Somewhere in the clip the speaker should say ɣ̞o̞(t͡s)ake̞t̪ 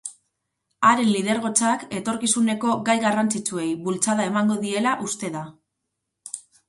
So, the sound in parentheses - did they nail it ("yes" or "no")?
yes